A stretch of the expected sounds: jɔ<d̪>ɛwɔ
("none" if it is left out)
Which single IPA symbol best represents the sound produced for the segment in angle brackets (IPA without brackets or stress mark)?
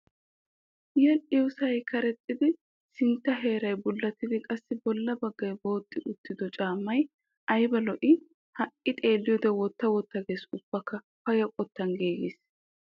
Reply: d̪